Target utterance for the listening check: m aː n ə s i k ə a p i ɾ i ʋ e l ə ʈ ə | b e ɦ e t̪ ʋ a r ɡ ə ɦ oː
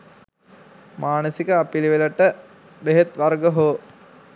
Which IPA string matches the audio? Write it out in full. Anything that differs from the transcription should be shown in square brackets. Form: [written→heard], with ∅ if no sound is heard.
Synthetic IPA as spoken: m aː n ə s i k ə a p i [ɾ→l] i ʋ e l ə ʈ ə | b e ɦ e t̪ ʋ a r ɡ ə ɦ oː

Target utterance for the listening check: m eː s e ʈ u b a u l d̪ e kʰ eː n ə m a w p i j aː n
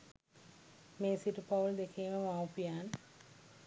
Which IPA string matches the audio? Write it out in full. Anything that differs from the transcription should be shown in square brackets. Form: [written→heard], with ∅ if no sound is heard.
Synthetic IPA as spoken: m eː s [e→i] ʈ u [b→p] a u l d̪ e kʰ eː [n→m] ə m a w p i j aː n

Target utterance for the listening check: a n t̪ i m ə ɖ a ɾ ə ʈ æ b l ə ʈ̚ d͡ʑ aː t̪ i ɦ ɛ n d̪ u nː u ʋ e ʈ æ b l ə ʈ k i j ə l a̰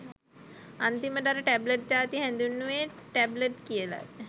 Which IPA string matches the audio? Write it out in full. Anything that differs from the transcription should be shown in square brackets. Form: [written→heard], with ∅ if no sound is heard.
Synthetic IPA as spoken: a n t̪ i m ə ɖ a ɾ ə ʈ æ b l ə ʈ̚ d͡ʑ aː t̪ i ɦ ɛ n d̪ u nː u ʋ e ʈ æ b l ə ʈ k i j ə l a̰

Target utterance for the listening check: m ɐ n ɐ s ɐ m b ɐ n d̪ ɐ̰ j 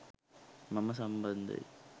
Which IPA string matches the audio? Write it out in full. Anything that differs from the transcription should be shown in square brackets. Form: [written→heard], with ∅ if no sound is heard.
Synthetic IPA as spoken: m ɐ [n→m] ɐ s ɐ m b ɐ n d̪ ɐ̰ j

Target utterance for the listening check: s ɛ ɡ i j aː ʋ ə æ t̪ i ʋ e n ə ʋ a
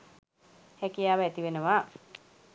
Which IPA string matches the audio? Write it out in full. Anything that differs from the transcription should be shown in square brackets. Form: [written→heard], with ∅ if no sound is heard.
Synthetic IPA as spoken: [s→h] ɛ [ɡ→k] i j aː ʋ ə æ t̪ i ʋ e n ə ʋ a

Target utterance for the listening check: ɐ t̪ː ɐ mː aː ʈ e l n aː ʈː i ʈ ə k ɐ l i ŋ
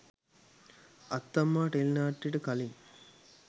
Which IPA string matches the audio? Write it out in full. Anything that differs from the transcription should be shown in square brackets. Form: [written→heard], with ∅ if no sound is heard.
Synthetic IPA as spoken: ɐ t̪ː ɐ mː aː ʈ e l n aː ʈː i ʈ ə k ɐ l i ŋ

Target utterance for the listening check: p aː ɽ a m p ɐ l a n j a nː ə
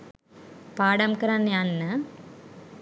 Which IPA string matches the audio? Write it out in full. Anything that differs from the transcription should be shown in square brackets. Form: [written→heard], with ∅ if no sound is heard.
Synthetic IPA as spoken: p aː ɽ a m [p→k] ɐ [l→ɾ] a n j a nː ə

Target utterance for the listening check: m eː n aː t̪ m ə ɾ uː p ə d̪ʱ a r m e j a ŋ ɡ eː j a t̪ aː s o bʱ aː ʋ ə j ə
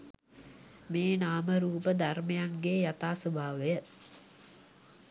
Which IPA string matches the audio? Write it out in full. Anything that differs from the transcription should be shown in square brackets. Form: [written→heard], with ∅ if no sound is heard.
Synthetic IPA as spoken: m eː n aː [t̪→∅] m ə ɾ uː p ə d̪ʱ a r m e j a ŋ ɡ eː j a t̪ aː s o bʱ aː ʋ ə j ə

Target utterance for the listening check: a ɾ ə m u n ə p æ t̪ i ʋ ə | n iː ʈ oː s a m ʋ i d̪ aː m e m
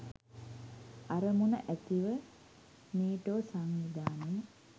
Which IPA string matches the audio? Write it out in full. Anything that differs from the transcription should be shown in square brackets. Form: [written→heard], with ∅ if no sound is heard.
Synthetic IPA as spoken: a ɾ ə m u n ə [p→ʔ] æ t̪ i ʋ ə | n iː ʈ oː s a [m→ŋ] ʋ i d̪ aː [m→n] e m

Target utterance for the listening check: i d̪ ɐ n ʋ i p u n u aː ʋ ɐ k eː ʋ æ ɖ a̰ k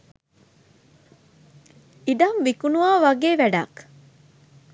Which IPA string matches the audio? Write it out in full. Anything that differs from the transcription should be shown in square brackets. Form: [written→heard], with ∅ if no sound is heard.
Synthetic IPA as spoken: i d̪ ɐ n ʋ i [p→k] u n u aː ʋ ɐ [k→ɡ] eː ʋ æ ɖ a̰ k

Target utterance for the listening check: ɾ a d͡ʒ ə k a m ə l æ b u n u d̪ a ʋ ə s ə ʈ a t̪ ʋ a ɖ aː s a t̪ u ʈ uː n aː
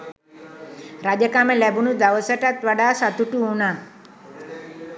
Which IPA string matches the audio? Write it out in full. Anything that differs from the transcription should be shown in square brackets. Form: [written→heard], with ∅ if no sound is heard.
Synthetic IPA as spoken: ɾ a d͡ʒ ə k a m ə l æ b u n u d̪ a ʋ ə s ə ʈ a t̪ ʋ a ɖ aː s a t̪ u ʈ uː n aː

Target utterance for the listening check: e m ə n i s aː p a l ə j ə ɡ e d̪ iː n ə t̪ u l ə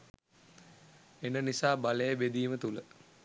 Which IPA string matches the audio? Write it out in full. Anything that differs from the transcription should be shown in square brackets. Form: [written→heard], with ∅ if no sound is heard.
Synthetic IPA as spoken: e [m→n] ə n i s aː [p→b] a l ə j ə [ɡ→b] e d̪ iː [n→m] ə t̪ u l ə

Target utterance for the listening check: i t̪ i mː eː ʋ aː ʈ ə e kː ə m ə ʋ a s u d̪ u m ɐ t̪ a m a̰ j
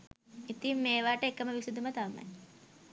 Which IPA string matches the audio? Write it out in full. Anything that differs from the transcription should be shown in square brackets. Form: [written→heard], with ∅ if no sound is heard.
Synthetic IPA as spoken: i t̪ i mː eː ʋ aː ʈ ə e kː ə m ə ʋ [a→i] s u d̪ u m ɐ t̪ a m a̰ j

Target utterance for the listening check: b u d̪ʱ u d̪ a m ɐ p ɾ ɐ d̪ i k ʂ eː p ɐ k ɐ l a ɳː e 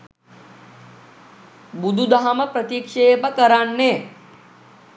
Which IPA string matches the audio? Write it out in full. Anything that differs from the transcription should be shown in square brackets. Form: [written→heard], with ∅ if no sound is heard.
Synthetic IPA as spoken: b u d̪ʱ u d̪ a m ɐ p ɾ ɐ [d̪→t̪] i k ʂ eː p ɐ k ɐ [l→ɾ] a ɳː e

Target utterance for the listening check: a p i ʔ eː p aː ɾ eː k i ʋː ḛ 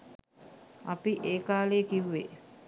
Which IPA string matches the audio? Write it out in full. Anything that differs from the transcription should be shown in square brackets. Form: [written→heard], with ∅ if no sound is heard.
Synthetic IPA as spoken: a p i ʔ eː [p→k] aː [ɾ→l] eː k i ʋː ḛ

